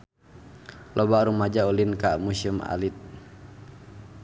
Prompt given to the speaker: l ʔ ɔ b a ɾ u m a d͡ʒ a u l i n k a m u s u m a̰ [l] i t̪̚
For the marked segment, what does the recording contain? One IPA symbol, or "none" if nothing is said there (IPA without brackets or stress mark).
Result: l